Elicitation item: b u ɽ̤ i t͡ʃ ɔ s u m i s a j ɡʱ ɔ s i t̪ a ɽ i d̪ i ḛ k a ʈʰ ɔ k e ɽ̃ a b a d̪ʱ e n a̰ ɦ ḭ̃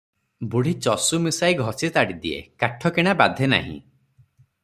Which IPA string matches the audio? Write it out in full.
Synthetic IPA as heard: b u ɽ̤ i t͡ʃ ɔ s u m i s a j ɡʱ ɔ s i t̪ a ɽ i d̪ i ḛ k a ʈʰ ɔ k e ɽ̃ a b a d̪ʱ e n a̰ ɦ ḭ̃